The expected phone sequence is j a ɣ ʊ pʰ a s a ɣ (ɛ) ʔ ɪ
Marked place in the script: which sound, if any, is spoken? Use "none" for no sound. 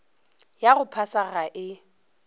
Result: a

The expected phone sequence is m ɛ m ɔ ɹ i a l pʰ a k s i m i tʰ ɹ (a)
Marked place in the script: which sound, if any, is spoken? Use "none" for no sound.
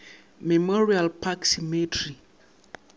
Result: i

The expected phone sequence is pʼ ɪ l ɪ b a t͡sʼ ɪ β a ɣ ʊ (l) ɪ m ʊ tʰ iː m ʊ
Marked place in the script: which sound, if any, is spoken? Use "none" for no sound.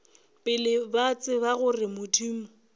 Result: r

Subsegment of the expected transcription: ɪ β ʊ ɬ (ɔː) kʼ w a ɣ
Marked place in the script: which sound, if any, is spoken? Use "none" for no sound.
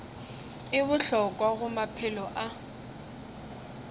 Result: ɔ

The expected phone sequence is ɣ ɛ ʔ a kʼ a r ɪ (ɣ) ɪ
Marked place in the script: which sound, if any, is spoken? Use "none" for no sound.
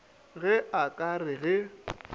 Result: ɣ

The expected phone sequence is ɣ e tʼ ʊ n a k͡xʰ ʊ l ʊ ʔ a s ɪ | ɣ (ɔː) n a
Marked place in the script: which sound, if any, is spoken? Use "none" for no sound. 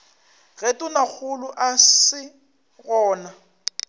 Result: ɔː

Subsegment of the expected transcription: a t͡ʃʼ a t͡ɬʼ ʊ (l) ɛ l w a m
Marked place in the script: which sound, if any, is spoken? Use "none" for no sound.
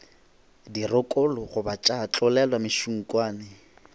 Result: l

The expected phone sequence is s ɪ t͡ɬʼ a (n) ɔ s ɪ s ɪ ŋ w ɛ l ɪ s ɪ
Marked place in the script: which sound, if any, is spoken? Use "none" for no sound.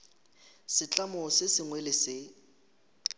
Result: m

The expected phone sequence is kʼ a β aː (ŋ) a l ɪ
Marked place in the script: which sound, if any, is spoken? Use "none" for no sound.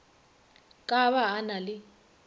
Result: n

